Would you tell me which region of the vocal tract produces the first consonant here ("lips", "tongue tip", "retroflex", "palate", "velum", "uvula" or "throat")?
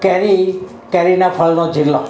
velum